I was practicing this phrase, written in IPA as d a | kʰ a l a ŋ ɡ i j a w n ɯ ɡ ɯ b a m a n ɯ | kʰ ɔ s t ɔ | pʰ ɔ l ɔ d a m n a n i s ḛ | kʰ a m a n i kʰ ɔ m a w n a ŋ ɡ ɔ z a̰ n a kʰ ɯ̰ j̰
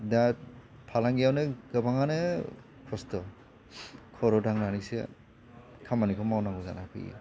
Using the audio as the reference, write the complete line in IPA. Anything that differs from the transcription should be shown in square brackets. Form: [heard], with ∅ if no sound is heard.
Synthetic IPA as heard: d a | [pʰ] a l a ŋ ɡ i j a w n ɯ ɡ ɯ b a [ŋ] a n ɯ | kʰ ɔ s t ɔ | [kʰ] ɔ [ɾ] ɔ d a [ŋ] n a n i s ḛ | kʰ a m a n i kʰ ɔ m a w n a ŋ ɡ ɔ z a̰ n a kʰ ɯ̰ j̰

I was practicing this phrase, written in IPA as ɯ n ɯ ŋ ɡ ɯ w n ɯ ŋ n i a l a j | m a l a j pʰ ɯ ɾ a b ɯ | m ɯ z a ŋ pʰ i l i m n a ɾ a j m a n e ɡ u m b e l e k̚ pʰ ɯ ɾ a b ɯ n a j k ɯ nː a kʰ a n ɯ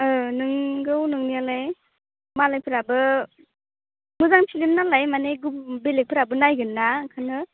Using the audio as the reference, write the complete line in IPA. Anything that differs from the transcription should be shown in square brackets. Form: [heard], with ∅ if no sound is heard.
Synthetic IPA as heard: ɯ n ɯ ŋ ɡ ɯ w n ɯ ŋ n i a l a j | m a l a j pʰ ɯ ɾ a b ɯ | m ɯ z a ŋ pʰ i l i m n a [l] a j m a n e ɡ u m b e l e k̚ pʰ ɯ ɾ a b ɯ n a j [ɡ] ɯ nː a kʰ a n ɯ

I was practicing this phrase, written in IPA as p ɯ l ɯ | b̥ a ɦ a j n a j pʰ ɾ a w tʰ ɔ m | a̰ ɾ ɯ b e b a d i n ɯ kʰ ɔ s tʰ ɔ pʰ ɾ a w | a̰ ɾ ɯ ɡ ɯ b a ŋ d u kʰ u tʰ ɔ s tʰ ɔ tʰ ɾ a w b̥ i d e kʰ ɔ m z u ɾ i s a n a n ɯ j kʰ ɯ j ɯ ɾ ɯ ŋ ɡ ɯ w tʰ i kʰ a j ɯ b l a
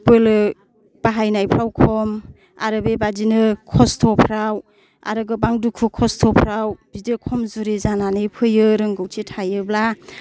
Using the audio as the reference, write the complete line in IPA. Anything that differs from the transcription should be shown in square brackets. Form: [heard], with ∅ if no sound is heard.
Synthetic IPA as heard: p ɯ l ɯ | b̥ a ɦ a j n a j pʰ ɾ a w [kʰ] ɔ m | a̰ ɾ ɯ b e b a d i n ɯ kʰ ɔ s tʰ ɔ pʰ ɾ a w | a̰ ɾ ɯ ɡ ɯ b a ŋ d u kʰ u [kʰ] ɔ s tʰ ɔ [pʰ] ɾ a w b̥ i d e kʰ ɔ m z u ɾ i [z] a n a n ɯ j [pʰ] ɯ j ɯ ɾ ɯ ŋ ɡ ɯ w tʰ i [tʰ] a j ɯ b l a

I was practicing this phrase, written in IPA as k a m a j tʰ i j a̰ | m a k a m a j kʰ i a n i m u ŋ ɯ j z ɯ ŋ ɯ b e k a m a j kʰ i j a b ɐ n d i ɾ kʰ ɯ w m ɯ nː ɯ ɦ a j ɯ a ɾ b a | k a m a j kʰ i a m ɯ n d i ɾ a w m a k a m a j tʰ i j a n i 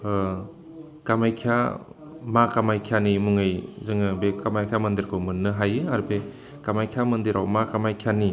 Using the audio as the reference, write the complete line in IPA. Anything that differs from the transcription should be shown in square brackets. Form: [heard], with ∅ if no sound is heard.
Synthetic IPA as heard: k a m a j [kʰ] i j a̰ | m a k a m a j kʰ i a n i m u ŋ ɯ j z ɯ ŋ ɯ b e k a m a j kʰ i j a [m] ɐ n d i ɾ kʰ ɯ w m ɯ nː ɯ ɦ a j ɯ a ɾ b [e] | k a m a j kʰ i a m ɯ n d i ɾ a w m a k a m a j [kʰ] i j a n i

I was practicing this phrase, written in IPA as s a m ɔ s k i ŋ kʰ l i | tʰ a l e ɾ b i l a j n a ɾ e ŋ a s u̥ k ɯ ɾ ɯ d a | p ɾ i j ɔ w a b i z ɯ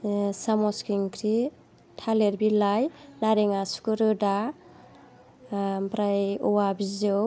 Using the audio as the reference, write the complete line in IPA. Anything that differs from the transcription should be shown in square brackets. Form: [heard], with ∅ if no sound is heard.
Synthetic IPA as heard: s a m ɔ s k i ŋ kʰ [ɾ] i | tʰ a l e ɾ b i l a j n a ɾ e ŋ a s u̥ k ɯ ɾ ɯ d a | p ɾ [a] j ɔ w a b i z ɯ

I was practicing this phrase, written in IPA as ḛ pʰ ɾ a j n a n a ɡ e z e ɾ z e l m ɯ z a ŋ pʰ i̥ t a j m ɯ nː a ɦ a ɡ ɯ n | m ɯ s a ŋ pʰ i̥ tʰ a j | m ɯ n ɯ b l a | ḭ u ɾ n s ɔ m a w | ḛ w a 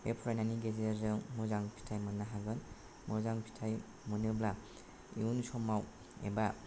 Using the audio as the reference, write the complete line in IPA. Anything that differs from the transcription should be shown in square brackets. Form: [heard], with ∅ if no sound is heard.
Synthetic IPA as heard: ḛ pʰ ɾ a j n a n [i] ɡ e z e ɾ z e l m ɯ z a ŋ pʰ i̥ [tʰ] a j m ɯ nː a ɦ a ɡ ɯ n | m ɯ [z] a ŋ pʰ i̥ tʰ a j | m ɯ n ɯ b l a | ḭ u [∅] n s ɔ m a w | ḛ [b] a

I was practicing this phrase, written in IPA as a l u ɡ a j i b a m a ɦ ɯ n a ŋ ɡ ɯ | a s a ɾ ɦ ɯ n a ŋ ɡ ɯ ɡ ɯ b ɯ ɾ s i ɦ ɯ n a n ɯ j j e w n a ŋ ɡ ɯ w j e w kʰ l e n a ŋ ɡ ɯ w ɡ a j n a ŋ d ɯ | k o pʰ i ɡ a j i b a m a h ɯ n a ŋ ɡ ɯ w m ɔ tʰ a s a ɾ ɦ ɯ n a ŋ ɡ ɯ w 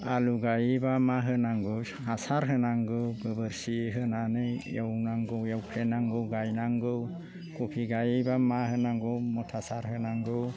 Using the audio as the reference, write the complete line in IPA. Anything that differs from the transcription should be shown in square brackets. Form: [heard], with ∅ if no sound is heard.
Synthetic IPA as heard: a l u ɡ a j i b a m a ɦ ɯ n a ŋ ɡ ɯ | a s a ɾ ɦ ɯ n a ŋ ɡ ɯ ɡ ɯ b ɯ ɾ s i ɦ ɯ n a n ɯ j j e w n a ŋ ɡ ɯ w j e w kʰ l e n a ŋ ɡ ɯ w ɡ a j n a ŋ [ɡ] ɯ | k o pʰ i ɡ a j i b a m a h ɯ n a ŋ ɡ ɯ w m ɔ tʰ a s a ɾ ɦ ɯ n a ŋ ɡ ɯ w

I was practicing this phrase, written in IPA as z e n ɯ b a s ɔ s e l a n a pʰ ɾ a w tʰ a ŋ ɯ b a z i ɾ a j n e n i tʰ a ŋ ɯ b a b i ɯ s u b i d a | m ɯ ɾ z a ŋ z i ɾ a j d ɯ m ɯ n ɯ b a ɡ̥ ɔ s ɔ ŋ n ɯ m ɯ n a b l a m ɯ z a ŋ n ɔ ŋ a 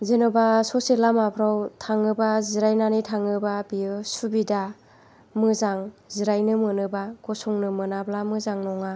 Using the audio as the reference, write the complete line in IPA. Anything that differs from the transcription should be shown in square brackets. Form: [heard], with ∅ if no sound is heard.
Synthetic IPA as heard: z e n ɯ b a s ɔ s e l a [m] a pʰ ɾ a w tʰ a ŋ ɯ b a z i ɾ a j n [a] n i tʰ a ŋ ɯ b a b i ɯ s u b i d a | m ɯ [∅] z a ŋ z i ɾ a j [n] ɯ m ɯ n ɯ b a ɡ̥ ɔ s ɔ ŋ n ɯ m ɯ n a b l a m ɯ z a ŋ n ɔ ŋ a

